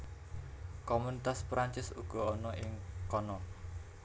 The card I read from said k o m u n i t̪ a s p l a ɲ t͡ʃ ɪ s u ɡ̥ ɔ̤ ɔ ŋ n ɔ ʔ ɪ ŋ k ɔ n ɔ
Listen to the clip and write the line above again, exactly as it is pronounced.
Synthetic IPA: k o m u n i t̪ a s p ɾ a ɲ t͡ʃ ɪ s u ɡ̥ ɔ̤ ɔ n ɔ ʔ ɪ ŋ k ɔ n ɔ

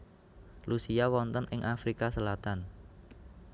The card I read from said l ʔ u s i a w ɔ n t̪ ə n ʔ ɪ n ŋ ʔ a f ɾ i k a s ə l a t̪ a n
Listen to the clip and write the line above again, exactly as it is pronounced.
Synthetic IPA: l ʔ u s i a w ɔ n t̪ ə n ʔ ɪ ŋ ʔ a f ɾ i k a s ə l a t̪ a n

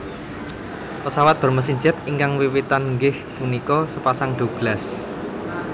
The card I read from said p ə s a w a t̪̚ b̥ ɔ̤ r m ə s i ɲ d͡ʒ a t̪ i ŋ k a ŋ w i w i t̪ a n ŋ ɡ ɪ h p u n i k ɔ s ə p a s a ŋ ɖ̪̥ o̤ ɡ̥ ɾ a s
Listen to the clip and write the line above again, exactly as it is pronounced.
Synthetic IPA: p ə s a w a t̪̚ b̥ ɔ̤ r m ə s i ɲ d͡ʒ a t̪ i ŋ k a ŋ w i w i t̪ a n ŋ ɡ ɪ h p u n i k ɔ s ə p a s a ŋ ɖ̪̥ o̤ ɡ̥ l a s

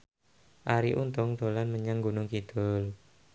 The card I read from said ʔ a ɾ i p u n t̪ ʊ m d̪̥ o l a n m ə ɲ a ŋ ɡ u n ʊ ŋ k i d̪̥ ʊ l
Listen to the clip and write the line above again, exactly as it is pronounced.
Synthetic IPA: ʔ a ɾ i ʔ u n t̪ ʊ ŋ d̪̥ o l a n m ə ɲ a ŋ ɡ u n ʊ ŋ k i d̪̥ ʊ l

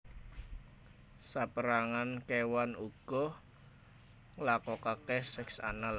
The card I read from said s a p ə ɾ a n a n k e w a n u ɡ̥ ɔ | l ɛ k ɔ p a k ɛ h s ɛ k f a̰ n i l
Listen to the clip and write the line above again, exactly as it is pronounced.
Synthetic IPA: s a p ə ɾ a ŋ a n k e w a n u ɡ̥ ɔ | l a k ɔ k a k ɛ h s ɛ k s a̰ n a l

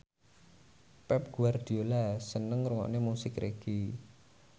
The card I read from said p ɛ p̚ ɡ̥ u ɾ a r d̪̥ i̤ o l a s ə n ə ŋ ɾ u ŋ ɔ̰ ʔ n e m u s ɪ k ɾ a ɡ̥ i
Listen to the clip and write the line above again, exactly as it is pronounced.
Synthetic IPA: p ɛ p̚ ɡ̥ u a r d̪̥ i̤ o l a s ə n ə ŋ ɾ u ŋ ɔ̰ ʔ n e m u s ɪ k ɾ e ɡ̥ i

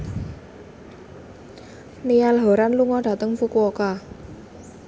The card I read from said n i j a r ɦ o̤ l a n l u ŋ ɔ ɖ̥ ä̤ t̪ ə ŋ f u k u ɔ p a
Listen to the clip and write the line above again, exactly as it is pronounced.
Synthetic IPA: n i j a l ɦ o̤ ɾ a n l u ŋ ɔ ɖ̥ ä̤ t̪ ə ŋ f u k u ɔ k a

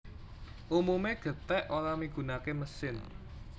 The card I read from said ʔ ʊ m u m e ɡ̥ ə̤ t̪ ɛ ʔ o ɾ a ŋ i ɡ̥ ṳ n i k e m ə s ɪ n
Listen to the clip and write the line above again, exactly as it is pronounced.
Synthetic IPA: ʔ u m u m e ɡ̥ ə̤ t̪ ɛ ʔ o l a m i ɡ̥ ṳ n a k e m ə s ɪ n

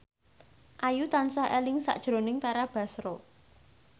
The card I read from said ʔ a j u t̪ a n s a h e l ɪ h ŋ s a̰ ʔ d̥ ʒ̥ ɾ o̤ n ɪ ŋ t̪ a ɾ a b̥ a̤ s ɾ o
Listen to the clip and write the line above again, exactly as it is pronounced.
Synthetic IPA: ʔ a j u t̪ a n s a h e l ɪ ŋ s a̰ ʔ d̥ ʒ̥ ɾ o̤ n ɪ ŋ t̪ a ɾ a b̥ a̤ s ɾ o

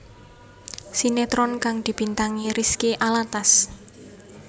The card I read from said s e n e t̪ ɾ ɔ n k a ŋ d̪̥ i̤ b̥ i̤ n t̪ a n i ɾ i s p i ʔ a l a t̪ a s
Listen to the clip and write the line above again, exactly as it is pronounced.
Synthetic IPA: s i n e t̪ ɾ ɔ n k a ŋ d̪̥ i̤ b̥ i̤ n t̪ a ŋ i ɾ i s k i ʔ a l a t̪ a s

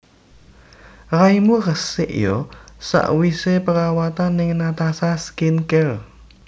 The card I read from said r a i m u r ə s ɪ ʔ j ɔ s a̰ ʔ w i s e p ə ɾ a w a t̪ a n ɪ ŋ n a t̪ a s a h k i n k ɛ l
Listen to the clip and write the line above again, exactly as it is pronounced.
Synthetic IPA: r a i m u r ə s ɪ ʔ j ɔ s a̰ ʔ w i s e p ə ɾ a w a t̪ a n ɪ ŋ n a t̪ a s a s k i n k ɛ l

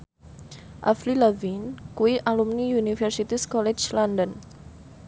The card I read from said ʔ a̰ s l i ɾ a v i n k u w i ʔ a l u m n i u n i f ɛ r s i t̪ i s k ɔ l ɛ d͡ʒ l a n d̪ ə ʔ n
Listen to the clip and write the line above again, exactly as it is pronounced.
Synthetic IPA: ʔ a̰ f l i l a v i n k u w i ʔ a l u m n i u n i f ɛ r s i t̪ i s k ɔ l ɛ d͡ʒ l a n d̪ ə n

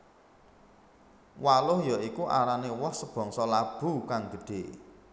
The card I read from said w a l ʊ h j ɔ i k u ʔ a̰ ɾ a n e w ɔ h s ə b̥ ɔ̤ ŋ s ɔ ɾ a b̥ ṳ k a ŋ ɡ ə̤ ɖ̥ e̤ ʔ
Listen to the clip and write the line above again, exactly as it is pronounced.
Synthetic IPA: w a l ʊ h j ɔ i k u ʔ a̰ ɾ a n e w ɔ h s ə b̥ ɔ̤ ŋ s ɔ l a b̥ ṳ k a ŋ ɡ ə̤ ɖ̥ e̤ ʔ

